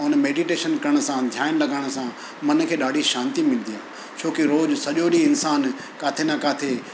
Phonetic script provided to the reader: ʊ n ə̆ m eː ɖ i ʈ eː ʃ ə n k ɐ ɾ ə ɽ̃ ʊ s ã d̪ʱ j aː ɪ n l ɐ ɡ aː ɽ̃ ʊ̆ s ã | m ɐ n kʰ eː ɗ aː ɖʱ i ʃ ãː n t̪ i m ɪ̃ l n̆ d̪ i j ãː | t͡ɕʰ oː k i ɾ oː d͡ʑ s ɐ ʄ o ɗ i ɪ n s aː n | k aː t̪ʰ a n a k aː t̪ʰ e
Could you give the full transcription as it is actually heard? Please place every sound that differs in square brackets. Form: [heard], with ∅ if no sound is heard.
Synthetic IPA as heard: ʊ n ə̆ m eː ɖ i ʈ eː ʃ ə n k ɐ ɾ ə ɽ̃ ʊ s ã d̪ʱ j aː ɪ n l ɐ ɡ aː ɽ̃ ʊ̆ s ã | m ɐ n kʰ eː ɗ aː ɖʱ i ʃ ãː n t̪ i m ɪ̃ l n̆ d̪ i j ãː | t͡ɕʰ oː k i ɾ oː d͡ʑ s ɐ ʄ o ɗ i ɪ n s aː n | k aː t̪ʰ [e] n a k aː t̪ʰ e